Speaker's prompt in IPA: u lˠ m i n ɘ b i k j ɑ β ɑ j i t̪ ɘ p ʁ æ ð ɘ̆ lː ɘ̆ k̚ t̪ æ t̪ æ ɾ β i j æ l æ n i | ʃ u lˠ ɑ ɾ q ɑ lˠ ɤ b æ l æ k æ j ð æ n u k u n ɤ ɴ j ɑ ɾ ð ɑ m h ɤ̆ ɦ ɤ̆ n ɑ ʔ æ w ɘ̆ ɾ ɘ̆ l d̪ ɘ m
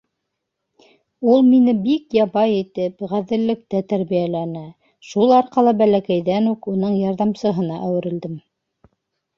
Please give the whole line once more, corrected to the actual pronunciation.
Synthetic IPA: u lˠ m i n ɘ b i k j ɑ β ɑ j i t̪ ɘ p ʁ æ ð ɘ̆ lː ɘ̆ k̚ t̪ æ t̪ æ ɾ β i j æ l æ n æ | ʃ u lˠ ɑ ɾ q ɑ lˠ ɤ b æ l æ k æ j ð æ n u k u n ɤ ɴ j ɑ ɾ ð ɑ m s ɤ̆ ɦ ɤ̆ n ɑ ʔ æ w ɘ̆ ɾ ɘ̆ l d̪ ɘ m